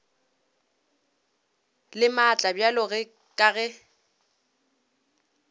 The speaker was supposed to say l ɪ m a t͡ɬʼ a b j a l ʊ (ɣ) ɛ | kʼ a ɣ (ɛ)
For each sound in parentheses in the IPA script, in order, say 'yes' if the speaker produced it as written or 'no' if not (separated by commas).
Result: yes, yes